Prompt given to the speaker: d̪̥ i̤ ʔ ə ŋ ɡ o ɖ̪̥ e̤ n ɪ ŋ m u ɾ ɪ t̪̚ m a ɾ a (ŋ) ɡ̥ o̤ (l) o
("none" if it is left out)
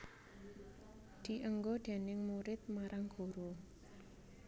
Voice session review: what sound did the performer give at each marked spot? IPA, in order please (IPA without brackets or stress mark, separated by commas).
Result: ŋ, ɾ